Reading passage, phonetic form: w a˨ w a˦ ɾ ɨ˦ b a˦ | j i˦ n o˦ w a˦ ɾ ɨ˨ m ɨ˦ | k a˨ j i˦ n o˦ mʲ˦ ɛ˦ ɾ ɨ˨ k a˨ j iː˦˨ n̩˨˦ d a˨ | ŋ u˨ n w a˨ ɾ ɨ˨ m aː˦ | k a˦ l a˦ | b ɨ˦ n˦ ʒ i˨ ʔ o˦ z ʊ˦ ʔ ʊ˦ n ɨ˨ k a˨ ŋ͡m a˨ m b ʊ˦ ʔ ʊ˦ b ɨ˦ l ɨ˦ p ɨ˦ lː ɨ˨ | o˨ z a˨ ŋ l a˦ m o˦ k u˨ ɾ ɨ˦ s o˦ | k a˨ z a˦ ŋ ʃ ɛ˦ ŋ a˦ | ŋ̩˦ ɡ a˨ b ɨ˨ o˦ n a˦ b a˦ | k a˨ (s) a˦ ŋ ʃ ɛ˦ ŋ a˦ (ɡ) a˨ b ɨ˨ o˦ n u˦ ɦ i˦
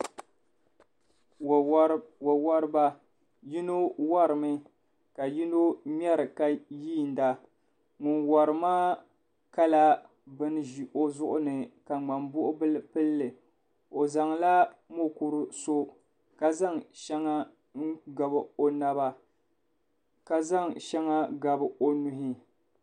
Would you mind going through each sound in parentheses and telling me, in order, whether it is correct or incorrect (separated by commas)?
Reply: incorrect, correct